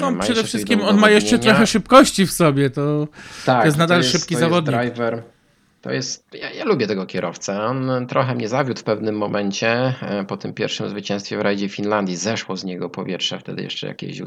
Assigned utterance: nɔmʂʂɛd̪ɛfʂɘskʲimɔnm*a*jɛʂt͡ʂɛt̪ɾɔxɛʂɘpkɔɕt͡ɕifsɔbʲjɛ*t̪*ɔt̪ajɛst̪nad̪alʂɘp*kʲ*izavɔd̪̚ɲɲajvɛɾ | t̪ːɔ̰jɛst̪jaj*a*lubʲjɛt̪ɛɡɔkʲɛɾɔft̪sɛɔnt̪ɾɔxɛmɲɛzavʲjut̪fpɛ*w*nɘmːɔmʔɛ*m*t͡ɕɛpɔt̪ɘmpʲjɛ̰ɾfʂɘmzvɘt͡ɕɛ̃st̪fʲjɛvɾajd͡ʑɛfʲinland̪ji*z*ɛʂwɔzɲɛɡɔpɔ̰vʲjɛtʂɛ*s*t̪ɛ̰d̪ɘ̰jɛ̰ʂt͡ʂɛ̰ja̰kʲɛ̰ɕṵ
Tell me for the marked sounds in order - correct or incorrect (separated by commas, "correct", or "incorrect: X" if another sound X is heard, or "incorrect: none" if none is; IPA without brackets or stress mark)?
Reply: correct, correct, correct, correct, incorrect: v, incorrect: ɲ, correct, incorrect: f